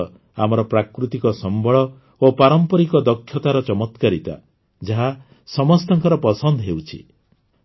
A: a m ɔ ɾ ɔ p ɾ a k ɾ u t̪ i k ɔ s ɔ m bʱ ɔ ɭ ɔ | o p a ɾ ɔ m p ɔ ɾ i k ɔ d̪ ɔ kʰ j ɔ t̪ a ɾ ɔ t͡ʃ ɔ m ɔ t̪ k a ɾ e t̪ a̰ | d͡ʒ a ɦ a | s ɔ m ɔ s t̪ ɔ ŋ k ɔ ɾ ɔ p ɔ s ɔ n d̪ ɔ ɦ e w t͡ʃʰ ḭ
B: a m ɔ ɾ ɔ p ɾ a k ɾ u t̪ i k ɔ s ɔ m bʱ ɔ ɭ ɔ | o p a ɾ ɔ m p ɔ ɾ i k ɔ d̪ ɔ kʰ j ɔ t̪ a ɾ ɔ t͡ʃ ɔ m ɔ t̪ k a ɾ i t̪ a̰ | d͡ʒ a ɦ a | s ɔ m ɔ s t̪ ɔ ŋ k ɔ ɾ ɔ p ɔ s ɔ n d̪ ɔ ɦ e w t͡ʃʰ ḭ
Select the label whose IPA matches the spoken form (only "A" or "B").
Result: B